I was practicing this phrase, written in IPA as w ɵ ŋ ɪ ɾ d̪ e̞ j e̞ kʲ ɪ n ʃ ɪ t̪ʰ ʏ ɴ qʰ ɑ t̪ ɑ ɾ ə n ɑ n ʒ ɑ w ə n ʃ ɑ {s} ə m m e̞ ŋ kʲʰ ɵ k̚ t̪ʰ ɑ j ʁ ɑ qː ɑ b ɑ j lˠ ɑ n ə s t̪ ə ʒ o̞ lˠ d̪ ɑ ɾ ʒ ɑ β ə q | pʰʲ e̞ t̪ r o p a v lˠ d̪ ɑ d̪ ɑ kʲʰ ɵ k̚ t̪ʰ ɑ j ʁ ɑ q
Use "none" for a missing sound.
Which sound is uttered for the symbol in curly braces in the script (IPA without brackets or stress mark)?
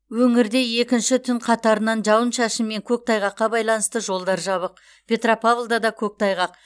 ʃ